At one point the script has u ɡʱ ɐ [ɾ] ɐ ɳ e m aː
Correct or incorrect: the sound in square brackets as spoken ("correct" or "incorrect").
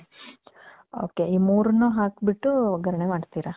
correct